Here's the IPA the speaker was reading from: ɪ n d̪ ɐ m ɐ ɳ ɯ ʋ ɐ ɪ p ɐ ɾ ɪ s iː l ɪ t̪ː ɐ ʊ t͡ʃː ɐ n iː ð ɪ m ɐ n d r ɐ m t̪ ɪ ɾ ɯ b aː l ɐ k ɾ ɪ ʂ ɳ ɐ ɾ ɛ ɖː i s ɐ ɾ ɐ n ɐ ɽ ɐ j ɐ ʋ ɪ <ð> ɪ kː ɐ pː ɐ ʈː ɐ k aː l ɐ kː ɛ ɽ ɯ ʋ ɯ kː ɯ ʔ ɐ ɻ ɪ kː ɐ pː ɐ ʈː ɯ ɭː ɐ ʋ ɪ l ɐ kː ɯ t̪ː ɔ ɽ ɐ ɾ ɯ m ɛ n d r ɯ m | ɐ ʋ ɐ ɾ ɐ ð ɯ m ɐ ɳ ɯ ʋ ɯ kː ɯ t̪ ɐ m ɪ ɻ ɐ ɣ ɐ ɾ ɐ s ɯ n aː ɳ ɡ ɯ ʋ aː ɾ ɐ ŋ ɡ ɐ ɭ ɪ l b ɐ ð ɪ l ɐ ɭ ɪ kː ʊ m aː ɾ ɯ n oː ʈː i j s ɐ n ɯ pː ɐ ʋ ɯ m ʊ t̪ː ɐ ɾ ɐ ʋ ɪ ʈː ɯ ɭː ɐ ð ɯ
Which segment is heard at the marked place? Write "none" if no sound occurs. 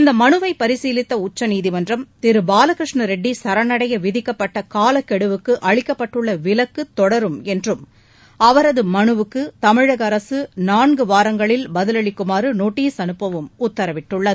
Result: ð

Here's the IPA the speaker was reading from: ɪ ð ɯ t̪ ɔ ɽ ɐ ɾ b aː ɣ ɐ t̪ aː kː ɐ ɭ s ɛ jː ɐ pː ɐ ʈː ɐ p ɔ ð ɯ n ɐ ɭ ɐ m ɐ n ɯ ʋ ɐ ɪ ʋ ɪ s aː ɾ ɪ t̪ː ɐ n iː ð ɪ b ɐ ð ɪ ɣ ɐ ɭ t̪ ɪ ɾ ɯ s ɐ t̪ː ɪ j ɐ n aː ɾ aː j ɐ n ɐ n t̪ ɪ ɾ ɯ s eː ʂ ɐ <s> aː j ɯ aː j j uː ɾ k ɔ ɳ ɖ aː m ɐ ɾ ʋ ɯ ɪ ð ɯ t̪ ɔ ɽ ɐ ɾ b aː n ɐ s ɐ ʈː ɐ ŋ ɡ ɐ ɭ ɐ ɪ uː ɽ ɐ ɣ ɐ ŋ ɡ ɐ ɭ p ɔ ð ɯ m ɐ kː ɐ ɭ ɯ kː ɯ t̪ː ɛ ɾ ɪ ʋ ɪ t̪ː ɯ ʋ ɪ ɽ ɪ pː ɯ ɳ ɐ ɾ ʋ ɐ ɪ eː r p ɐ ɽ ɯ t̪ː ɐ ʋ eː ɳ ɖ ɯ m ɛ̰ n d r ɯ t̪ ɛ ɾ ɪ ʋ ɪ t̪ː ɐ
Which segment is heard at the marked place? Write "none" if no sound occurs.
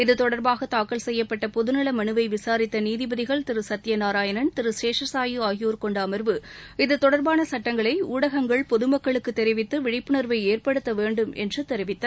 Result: s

